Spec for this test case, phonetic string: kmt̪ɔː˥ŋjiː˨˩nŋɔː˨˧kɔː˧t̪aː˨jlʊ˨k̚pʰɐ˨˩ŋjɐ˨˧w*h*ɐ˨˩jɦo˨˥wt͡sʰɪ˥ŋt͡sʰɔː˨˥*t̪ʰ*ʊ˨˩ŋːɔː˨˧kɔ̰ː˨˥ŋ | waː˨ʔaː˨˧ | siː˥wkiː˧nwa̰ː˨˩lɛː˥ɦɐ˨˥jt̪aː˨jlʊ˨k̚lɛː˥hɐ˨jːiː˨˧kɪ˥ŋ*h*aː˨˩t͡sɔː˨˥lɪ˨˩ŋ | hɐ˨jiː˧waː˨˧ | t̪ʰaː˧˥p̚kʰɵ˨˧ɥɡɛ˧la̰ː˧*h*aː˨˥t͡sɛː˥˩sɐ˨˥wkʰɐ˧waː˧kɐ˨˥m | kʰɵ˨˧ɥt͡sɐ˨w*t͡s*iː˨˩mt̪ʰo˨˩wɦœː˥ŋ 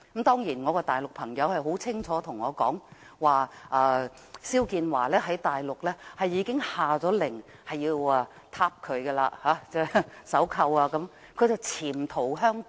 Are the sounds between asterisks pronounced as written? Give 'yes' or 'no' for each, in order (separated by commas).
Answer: yes, yes, yes, yes, no